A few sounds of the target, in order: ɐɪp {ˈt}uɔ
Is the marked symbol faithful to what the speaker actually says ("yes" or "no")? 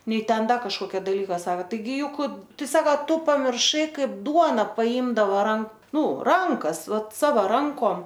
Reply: no